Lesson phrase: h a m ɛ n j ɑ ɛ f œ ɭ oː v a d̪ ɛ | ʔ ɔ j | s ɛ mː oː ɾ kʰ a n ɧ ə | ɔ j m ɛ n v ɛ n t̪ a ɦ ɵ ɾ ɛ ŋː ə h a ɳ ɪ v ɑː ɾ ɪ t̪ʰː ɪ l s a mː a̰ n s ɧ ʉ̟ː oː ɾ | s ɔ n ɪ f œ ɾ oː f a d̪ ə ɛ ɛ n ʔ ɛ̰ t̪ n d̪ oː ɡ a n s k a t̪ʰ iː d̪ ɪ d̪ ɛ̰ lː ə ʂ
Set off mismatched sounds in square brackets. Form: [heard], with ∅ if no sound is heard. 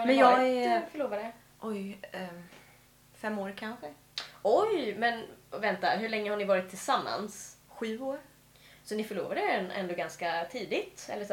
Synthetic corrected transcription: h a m ɛ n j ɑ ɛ f œ ɭ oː v a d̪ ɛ | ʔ ɔ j | [f] ɛ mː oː ɾ kʰ a n ɧ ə | ɔ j m ɛ n v ɛ n t̪ a ɦ ɵ [ɭ] ɛ ŋː ə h a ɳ ɪ v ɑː ɾ ɪ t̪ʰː ɪ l s a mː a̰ n s ɧ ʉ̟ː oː ɾ | s ɔ n ɪ f œ [ɭ] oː [v] a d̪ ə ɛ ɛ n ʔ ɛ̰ [∅] n d̪ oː ɡ a n s k a t̪ʰ iː d̪ ɪ [t̪] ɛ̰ lː ə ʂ